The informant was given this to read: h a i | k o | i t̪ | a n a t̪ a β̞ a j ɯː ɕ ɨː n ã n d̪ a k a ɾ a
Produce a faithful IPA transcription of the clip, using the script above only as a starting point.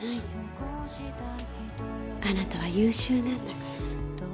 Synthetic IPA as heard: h a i | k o | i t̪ | a n a t̪ a β̞ a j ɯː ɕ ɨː n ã n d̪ a k a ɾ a